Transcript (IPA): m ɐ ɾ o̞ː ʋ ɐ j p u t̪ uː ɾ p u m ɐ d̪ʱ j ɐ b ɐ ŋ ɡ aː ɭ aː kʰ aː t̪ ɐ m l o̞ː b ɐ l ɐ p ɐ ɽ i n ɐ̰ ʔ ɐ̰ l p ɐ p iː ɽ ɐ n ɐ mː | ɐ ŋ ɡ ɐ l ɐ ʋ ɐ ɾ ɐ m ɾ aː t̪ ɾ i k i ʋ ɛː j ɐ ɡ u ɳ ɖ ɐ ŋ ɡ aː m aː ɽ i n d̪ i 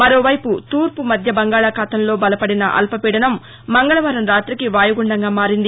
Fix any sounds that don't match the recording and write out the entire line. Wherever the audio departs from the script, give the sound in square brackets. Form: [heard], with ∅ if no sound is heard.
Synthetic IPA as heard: m ɐ ɾ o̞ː ʋ ɐ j p u t̪ uː ɾ p u m ɐ d̪ʱ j ɐ b ɐ ŋ ɡ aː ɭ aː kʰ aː t̪ ɐ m l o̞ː b ɐ l ɐ p ɐ ɽ i n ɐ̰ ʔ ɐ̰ l p ɐ p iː ɽ ɐ n ɐ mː | ɐ ŋ ɡ ɐ [ɭ] ɐ ʋ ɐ ɾ ɐ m ɾ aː t̪ ɾ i k i ʋ [aː] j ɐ ɡ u ɳ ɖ ɐ ŋ ɡ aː m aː [ɾ] i n d̪ i